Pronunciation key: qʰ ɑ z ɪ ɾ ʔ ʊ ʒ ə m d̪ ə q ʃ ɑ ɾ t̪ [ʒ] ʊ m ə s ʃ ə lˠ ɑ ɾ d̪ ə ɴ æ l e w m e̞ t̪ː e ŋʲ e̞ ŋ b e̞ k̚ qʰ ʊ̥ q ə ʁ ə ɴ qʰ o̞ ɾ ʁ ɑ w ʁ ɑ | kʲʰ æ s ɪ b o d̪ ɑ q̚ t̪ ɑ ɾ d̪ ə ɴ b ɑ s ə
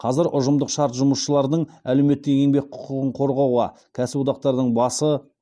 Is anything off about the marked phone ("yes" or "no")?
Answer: no